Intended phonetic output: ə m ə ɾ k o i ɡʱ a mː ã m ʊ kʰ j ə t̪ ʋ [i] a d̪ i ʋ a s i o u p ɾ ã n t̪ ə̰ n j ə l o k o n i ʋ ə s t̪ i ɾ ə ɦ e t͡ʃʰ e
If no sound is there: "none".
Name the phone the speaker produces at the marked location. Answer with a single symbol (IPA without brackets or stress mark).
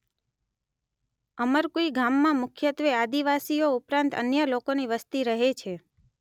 e